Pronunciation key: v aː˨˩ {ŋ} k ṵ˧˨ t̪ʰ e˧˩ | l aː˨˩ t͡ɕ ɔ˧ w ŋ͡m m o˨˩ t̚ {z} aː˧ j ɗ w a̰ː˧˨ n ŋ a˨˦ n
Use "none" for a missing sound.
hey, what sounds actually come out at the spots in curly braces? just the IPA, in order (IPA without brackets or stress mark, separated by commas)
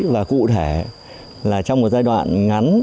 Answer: none, z